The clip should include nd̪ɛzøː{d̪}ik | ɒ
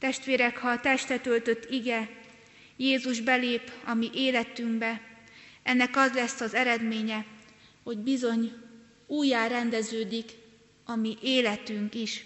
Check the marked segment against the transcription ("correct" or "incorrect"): correct